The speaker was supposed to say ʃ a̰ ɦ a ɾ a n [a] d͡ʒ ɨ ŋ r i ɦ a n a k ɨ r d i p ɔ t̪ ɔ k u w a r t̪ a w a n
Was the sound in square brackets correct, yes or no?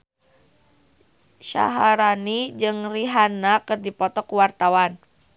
no